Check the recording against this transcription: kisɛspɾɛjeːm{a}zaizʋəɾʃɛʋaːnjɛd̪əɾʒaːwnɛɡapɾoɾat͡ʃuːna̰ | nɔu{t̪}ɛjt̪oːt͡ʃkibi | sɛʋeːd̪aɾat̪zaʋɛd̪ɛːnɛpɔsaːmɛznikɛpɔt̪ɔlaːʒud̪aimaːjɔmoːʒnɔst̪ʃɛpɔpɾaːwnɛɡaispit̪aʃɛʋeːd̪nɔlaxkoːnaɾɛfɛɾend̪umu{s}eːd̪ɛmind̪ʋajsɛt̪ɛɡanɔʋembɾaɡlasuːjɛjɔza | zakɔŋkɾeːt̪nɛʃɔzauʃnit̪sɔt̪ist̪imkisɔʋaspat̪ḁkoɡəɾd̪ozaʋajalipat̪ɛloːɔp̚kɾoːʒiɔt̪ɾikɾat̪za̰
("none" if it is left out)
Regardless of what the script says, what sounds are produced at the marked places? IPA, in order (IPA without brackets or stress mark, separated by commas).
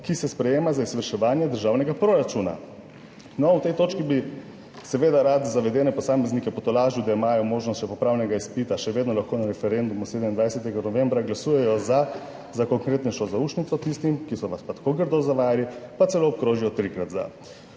a, t̪, s